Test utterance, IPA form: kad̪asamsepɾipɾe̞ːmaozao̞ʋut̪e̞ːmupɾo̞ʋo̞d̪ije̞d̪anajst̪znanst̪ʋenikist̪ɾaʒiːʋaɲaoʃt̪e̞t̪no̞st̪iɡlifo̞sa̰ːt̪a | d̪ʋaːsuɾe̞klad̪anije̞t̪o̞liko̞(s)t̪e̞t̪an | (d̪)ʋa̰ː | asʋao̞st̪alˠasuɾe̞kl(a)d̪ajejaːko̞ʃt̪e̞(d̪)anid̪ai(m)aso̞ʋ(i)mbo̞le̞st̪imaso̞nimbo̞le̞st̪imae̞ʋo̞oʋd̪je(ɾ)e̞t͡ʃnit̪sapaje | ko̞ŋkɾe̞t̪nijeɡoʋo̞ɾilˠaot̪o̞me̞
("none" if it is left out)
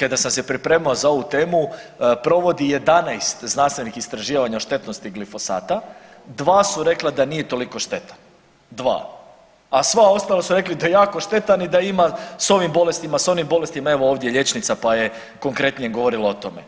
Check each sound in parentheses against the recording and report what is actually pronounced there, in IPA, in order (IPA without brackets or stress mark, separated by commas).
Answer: ʃ, d̪, i, t̪, m, i, ʎ